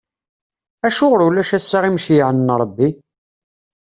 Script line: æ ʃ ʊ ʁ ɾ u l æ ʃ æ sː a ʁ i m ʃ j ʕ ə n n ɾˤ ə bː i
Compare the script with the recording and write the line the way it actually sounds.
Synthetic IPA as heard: æ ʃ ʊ ʁ ɾ u l æ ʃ æ sː a ʁ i m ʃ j ʕ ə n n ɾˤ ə bː i